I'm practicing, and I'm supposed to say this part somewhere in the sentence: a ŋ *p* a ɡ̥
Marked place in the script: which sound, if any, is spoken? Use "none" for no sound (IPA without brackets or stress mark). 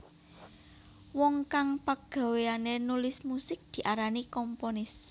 p